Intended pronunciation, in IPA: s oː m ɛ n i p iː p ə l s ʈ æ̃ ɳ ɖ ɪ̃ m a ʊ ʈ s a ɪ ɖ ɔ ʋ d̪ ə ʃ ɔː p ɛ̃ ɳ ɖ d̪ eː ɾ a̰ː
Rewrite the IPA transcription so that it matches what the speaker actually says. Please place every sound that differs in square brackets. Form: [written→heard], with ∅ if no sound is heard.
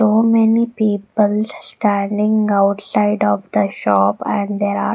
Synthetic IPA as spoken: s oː m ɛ n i p iː p ə l s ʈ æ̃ ɳ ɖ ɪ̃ [m→ŋ] a ʊ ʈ s a ɪ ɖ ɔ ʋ d̪ ə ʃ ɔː p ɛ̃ ɳ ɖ d̪ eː ɾ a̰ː